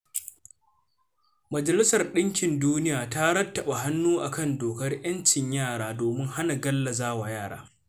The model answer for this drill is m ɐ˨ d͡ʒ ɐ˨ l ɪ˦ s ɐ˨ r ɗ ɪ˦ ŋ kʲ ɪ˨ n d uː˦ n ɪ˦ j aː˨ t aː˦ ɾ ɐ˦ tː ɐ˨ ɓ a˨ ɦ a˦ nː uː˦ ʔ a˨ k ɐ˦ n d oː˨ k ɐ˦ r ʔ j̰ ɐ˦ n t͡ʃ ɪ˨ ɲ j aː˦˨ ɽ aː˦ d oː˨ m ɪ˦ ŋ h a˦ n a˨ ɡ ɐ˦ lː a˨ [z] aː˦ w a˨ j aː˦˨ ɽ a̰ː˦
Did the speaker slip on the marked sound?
no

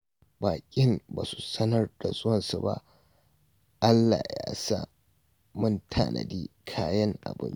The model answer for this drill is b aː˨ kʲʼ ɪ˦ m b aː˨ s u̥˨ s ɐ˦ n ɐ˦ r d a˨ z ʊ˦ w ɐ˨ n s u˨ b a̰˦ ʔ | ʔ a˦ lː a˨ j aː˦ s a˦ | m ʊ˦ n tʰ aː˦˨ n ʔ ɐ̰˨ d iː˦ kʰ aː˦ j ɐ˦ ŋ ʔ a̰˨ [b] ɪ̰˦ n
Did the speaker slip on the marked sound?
no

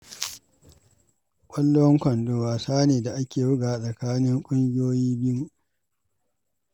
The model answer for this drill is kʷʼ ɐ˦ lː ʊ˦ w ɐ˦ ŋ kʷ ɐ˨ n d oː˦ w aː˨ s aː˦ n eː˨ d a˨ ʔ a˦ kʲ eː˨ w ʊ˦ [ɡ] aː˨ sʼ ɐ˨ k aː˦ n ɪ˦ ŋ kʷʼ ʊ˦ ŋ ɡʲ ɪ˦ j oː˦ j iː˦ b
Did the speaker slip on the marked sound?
no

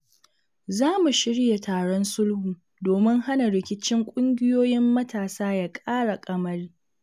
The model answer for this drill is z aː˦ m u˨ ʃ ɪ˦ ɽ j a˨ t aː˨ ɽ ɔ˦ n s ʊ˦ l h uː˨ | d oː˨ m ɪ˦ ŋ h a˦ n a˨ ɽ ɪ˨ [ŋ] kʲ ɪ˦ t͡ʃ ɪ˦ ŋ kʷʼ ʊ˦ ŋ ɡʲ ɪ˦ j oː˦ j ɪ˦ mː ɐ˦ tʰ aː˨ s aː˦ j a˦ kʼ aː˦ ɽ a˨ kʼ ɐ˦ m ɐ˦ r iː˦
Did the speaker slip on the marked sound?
yes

